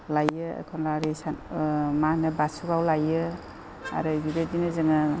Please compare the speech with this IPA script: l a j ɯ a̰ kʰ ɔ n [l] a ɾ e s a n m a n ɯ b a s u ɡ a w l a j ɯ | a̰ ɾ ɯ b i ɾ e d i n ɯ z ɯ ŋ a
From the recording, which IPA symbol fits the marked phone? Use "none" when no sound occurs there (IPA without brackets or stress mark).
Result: l